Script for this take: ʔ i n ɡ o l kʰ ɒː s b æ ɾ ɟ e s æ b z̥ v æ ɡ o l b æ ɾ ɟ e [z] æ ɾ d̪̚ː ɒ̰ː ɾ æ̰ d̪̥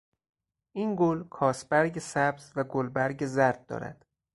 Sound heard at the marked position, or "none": z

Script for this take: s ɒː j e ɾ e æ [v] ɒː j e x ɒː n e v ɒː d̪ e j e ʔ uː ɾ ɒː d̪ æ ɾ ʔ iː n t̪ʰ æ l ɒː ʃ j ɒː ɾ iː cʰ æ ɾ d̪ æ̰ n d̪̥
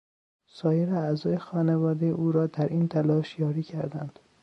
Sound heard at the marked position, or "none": z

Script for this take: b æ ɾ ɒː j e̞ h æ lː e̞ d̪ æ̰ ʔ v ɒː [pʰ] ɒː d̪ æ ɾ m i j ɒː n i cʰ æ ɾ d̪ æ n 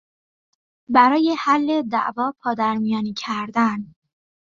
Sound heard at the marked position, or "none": pʰ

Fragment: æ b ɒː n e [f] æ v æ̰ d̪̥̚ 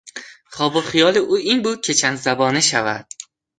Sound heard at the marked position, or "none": ʃ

